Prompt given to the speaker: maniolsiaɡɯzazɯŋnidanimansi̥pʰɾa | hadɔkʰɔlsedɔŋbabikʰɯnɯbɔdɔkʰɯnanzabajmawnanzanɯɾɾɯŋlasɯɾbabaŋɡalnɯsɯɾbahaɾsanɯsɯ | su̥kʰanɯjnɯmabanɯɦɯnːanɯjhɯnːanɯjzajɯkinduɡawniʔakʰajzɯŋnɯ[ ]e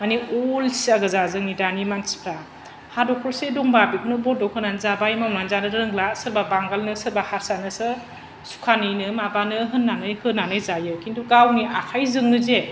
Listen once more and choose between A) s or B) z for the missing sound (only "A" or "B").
B